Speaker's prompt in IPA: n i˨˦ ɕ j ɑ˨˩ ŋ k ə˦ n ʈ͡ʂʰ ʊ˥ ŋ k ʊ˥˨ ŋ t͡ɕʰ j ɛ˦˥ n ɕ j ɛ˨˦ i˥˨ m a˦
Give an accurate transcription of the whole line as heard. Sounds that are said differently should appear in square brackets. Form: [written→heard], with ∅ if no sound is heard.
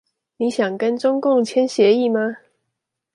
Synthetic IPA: n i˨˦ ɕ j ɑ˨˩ ŋ k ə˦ n [ʈ͡ʂʰ→ʈ͡ʂ] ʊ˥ ŋ k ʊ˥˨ ŋ t͡ɕʰ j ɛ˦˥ n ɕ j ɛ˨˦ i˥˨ m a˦